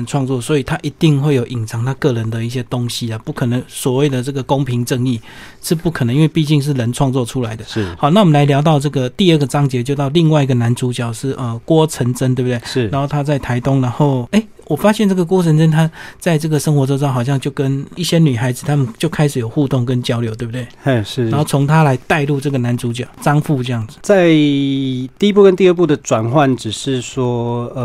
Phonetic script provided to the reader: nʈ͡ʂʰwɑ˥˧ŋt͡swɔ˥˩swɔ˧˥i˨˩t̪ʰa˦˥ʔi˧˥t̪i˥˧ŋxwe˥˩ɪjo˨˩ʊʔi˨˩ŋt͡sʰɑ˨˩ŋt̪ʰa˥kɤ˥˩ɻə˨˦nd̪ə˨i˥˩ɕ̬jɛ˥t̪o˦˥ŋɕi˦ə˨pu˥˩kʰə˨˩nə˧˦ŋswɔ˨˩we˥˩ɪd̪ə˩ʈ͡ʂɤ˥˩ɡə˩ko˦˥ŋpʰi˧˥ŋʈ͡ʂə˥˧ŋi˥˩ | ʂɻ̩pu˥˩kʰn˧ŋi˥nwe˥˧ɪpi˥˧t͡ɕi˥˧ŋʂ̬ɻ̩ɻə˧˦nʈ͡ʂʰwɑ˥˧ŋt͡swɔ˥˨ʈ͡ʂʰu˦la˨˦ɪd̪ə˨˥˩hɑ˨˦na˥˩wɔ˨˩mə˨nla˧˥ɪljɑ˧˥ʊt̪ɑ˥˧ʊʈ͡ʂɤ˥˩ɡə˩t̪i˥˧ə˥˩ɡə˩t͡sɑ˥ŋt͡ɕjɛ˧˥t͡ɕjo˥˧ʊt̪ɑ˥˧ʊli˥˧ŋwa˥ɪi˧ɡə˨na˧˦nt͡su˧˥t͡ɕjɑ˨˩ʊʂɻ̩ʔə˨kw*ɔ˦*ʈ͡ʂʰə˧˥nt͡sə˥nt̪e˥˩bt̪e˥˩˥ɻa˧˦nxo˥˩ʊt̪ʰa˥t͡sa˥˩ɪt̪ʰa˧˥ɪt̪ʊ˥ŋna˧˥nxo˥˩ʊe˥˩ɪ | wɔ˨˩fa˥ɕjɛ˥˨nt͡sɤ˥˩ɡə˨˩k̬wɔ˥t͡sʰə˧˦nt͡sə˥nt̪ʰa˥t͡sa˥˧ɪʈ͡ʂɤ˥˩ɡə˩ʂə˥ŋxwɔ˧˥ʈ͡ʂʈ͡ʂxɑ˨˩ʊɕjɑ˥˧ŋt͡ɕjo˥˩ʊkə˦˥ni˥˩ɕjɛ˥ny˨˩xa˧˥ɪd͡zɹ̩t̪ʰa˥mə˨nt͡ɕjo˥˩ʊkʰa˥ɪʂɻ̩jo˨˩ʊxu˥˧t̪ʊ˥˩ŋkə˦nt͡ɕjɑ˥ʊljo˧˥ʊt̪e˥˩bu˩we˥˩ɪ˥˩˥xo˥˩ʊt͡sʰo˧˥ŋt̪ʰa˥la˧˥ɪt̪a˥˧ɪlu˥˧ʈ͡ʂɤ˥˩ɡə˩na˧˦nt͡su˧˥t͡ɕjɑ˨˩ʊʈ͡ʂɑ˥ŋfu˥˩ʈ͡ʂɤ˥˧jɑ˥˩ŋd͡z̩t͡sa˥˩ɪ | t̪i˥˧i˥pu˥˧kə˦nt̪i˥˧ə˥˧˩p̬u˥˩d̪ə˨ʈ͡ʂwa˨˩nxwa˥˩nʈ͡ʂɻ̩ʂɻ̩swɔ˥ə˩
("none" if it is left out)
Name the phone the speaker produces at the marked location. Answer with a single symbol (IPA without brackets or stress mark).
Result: ɔ˦